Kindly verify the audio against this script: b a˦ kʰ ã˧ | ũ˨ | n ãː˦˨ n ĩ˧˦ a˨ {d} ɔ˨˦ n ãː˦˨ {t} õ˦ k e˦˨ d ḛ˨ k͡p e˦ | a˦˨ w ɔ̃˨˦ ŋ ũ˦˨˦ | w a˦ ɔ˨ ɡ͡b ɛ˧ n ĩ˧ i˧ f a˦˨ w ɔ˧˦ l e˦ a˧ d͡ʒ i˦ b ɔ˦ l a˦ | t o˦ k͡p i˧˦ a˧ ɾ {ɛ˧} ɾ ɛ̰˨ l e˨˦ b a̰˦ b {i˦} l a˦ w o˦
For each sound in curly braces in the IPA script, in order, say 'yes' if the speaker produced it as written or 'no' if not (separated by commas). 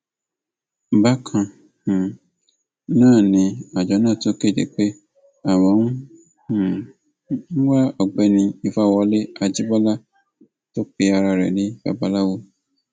no, yes, no, no